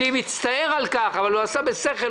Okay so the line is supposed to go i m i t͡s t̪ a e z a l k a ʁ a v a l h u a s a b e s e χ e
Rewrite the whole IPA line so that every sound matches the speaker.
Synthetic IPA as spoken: i m i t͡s t̪ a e ʁ a l k a χ a v a l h u a s a b e s e χ e

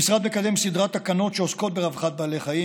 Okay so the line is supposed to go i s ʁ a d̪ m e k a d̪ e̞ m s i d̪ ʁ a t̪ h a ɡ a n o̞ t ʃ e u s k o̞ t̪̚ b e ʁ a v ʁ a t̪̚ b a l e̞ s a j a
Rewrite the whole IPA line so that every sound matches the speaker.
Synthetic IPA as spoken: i s ʁ a d̪ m e k a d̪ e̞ m s i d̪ ʁ a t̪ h a k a n o̞ t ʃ e o s k o̞ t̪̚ b e ʁ a v χ a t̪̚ b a l e̞ χ a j i

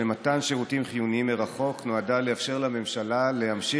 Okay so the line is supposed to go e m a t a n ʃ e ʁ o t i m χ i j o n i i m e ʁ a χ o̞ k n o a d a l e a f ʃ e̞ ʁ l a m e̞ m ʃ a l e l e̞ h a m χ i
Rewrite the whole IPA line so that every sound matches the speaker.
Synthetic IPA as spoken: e m a t a n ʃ e ʁ u t i m χ i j u n i i m e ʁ a χ o̞ k n o a d a l e a f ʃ e̞ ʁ l a m e̞ m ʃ a l a l e̞ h a m ʃ i

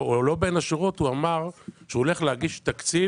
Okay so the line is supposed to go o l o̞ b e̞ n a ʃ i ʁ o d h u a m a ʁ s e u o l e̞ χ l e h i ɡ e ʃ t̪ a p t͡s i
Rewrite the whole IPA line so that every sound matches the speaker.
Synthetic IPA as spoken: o l o̞ b e̞ n a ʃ i ʁ o t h u a m a ʁ ʃ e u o l e̞ χ l e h a ɡ i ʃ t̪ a k t͡s i

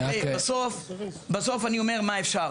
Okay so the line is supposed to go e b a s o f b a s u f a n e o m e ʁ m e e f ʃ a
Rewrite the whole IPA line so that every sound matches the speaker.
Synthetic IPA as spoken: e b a s o f b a s o f a n i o m e ʁ m a e f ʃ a

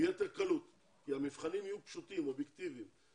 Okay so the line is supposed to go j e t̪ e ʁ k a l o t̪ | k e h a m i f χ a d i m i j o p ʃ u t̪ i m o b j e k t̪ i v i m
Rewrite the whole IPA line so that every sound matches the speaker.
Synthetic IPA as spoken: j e t̪ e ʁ k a l u t̪ | k i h a m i f χ a n i m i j u p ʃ u t̪ i m o b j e k t̪ i v i m

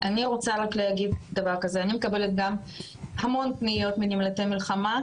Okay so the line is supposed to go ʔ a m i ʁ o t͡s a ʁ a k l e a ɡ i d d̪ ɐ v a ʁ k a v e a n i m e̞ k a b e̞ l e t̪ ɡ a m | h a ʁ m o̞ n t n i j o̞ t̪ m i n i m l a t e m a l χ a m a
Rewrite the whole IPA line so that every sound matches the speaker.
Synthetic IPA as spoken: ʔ a n i ʁ o t͡s a ʁ a k l e a ɡ i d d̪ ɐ v a ʁ k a z e a n i m e̞ k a b e̞ l e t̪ ɡ a m | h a m o̞ n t n i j o̞ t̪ m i n i m l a t e m i l χ a m a

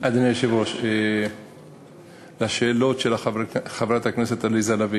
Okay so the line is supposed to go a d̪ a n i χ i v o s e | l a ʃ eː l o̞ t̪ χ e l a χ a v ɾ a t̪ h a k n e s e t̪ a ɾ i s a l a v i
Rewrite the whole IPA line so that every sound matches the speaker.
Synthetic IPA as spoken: a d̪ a n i ʃ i v o ʃ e | l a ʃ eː l o̞ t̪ ʃ e l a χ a v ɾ a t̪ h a k n e s e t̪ a l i z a l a v i

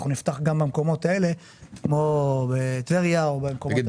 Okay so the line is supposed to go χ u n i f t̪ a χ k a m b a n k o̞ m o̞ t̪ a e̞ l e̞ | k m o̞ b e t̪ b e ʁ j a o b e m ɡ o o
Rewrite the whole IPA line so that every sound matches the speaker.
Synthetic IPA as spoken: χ u n i f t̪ a χ ɡ a m b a m k o̞ m o̞ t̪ a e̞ l e̞ | k m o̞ b e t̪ v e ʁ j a o b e m k o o

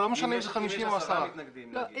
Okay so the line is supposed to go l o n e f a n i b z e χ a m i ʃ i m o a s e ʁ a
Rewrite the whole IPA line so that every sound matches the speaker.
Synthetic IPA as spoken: l o m e ʃ a n e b z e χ a m i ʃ i m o a s a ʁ a

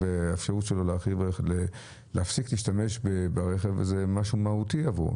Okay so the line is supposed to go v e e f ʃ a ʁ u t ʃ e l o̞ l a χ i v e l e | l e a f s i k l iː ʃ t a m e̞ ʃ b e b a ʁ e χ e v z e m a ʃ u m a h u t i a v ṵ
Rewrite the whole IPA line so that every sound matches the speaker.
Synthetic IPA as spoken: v e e f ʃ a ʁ u t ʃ e l o̞ l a χ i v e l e | l e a f s i k l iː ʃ t a m e̞ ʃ b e b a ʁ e χ e v z e m a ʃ u m a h u t i a v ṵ

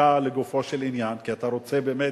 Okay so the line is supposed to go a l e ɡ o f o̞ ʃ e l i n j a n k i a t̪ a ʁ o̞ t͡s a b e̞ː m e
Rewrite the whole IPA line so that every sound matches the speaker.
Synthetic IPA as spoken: a l e ɡ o f o̞ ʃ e l i n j a n k i a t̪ a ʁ o̞ t͡s e b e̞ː m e

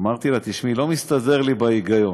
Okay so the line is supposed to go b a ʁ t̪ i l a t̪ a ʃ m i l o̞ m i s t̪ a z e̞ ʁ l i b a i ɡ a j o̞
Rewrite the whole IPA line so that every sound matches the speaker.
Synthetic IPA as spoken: m a ʁ t̪ i l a t̪ i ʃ m i l o̞ m i s t̪ a z e̞ ʁ l i b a i ɡ a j o̞

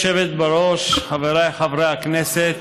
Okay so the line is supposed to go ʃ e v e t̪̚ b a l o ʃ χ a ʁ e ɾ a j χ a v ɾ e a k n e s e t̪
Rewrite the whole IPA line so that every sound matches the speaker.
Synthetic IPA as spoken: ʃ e v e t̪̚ b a ɾ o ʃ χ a v e ɾ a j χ a v ɾ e a k n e s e t̪

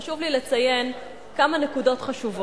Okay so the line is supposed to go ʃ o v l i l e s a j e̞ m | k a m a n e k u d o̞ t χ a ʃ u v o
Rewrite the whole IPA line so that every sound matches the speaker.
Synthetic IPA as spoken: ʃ u v l i l e t͡s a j e̞ n | k a m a n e k u d o̞ t χ a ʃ u v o

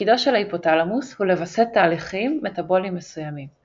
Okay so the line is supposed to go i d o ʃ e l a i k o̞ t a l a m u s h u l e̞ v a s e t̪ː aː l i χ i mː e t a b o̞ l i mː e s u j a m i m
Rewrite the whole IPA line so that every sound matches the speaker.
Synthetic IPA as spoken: i d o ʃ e l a i p o̞ t a l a m u s h u l e̞ v a s e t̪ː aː l i χ i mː e t a b o̞ l i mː e s u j a m i m

